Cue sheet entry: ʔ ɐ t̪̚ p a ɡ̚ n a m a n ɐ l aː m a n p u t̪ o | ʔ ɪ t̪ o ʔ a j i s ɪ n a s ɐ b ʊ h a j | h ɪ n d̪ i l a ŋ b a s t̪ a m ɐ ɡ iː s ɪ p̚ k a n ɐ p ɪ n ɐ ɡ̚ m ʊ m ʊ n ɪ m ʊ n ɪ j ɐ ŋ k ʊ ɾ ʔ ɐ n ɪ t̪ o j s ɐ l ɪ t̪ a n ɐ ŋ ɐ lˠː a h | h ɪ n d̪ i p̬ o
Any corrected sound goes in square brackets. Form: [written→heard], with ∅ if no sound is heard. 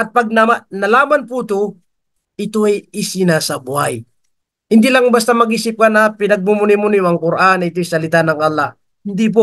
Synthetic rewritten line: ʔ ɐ t̪̚ p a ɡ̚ n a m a n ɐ l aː m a n p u t̪ o | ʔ ɪ t̪ o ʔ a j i s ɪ n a s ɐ b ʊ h a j | h ɪ n d̪ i l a ŋ b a s t̪ a m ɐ ɡ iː s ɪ p̚ k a n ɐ p ɪ n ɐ ɡ̚ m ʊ m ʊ n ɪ m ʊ n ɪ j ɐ ŋ k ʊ ɾ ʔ [ɐ→a] n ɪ t̪ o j s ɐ l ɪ t̪ a n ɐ ŋ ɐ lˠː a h | h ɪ n d̪ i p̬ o